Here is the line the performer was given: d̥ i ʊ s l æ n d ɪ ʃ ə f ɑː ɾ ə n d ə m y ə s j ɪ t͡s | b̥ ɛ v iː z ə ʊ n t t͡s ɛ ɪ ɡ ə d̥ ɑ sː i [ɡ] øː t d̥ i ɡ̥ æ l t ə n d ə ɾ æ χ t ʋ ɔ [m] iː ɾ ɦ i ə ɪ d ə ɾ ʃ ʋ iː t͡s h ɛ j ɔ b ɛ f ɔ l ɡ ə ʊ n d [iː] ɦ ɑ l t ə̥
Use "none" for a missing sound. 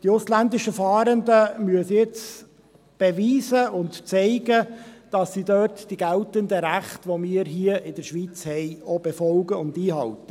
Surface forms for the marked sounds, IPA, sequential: d, m, iː

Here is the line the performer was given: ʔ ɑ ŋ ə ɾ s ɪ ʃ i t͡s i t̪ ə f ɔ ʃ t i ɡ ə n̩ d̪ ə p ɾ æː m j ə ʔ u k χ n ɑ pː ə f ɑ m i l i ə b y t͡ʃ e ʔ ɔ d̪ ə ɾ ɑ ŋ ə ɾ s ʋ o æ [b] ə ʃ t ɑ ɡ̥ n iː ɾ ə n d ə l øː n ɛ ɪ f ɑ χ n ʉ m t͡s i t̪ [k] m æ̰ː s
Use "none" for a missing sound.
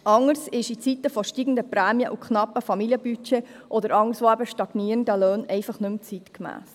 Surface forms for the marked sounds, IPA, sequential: b, k

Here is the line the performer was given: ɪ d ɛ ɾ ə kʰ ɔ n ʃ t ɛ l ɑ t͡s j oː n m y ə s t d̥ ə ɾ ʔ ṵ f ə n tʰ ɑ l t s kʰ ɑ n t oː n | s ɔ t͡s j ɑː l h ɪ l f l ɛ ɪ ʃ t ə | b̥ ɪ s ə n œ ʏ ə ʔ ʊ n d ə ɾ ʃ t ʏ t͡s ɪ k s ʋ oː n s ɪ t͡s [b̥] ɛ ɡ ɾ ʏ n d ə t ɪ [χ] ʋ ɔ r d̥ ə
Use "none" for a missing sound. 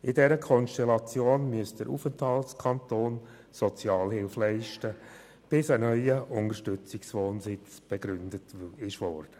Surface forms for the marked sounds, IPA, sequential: b̥, ʃ

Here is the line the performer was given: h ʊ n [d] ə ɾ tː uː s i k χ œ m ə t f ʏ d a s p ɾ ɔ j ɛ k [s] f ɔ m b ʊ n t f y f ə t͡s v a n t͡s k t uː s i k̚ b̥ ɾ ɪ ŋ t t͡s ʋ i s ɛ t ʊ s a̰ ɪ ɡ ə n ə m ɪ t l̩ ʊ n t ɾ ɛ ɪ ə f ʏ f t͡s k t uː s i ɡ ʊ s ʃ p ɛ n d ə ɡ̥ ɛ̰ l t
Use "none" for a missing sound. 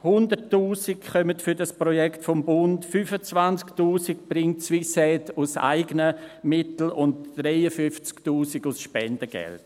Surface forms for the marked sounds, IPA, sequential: d, t

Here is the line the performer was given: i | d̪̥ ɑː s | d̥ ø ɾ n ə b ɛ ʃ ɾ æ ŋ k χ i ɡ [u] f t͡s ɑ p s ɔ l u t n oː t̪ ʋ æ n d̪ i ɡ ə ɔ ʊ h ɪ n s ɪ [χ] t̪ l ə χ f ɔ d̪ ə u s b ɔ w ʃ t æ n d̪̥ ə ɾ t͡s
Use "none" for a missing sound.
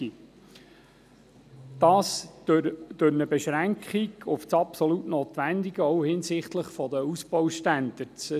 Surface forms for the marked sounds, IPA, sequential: ʊ, χ

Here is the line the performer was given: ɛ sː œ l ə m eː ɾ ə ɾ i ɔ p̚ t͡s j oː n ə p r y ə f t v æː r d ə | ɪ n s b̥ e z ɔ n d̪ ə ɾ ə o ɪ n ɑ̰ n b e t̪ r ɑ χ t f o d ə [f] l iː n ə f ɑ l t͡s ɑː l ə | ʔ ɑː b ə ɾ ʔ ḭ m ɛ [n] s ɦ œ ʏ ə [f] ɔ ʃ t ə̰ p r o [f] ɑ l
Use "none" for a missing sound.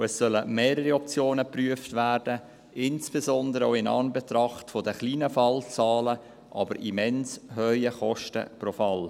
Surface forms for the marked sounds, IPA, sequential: χ, n, χ, f

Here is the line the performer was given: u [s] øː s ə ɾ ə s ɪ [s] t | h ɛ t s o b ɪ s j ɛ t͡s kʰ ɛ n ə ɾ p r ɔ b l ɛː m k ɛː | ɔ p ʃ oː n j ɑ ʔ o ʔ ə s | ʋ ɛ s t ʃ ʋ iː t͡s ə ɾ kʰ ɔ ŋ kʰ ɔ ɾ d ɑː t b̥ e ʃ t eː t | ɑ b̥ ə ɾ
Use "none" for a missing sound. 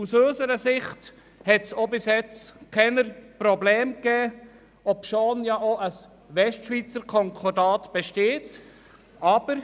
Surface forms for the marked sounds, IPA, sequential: s, χ

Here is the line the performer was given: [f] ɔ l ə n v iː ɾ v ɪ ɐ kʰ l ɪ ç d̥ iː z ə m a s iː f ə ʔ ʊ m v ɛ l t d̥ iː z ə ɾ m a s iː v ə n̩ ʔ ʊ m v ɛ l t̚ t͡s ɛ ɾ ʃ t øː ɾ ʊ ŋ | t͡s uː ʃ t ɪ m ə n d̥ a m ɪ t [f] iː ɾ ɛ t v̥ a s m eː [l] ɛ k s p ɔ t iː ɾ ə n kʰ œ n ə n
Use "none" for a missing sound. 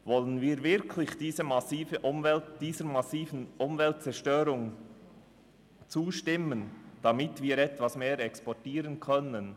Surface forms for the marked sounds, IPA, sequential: v, v, ɾ

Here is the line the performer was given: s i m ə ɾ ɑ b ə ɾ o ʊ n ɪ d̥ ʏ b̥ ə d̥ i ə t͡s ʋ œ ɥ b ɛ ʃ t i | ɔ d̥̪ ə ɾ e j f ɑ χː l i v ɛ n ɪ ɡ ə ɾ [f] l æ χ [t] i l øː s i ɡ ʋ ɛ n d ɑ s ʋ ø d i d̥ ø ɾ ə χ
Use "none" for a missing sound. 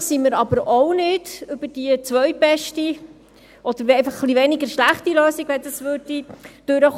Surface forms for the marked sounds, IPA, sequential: ʃ, t

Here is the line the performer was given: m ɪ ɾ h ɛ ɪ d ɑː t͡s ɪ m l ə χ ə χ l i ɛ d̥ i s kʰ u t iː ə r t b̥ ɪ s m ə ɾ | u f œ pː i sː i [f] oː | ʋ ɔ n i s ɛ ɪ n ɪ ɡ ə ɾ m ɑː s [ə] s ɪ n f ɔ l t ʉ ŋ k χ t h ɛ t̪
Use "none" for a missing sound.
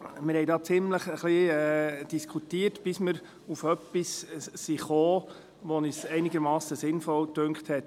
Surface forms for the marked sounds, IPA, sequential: χ, ə

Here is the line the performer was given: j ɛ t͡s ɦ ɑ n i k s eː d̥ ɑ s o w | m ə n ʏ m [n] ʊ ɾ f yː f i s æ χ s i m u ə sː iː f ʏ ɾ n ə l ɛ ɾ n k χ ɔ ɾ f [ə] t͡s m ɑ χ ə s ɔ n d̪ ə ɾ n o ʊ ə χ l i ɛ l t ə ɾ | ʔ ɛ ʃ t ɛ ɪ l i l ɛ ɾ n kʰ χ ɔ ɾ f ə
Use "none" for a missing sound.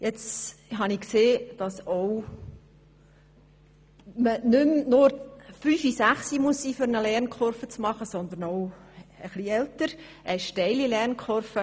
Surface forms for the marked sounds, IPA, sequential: n, ə

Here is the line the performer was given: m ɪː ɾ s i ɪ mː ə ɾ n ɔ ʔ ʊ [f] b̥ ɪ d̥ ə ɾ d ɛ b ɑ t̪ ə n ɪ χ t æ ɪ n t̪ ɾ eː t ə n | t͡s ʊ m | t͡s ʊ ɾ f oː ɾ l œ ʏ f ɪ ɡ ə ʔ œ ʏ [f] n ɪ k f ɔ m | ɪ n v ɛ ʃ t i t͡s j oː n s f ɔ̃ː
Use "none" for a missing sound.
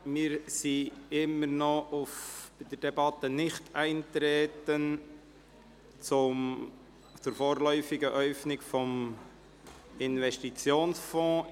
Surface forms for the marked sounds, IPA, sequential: f, f

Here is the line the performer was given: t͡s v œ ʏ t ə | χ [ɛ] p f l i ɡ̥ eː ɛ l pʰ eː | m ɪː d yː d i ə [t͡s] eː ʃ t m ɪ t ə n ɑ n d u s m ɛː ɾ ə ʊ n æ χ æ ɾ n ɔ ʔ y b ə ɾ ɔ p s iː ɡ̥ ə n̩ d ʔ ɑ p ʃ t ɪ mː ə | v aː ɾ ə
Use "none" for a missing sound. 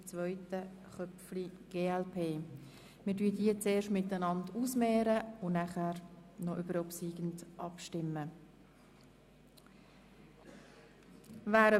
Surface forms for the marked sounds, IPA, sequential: œ, t͡s

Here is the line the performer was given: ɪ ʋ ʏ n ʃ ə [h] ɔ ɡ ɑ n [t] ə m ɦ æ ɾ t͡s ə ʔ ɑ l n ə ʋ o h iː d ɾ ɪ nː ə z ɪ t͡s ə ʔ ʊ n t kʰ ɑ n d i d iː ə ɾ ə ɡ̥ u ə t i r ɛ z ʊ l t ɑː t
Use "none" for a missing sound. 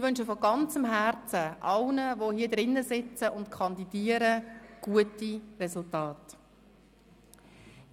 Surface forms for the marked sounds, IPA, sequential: f, t͡s

